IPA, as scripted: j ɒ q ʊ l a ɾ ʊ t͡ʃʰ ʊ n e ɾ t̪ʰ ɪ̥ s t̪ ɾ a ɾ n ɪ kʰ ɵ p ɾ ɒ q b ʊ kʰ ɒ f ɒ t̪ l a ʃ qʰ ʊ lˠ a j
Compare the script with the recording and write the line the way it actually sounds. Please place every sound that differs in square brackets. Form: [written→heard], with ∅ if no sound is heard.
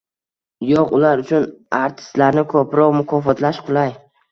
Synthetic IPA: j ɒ q ʊ l a ɾ ʊ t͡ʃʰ ʊ n [e→a] ɾ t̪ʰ ɪ̥ s t̪ [ɾ→l] a ɾ n ɪ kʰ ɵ p ɾ ɒ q [b→m] ʊ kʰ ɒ f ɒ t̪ l a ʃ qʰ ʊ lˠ a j